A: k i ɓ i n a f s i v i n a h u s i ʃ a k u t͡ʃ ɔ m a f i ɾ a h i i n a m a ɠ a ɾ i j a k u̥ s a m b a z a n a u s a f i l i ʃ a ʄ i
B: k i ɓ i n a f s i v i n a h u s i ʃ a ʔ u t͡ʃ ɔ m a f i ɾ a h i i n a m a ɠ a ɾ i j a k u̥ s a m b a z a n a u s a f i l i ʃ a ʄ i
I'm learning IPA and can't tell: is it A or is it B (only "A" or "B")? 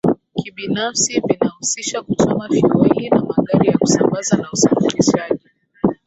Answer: A